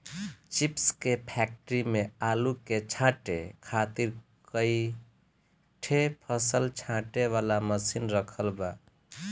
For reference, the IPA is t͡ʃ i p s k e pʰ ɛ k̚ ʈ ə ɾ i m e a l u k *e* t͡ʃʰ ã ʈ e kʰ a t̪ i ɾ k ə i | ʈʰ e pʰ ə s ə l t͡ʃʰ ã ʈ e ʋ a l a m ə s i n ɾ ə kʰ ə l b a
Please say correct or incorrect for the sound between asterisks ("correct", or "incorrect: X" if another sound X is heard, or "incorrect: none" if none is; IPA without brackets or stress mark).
correct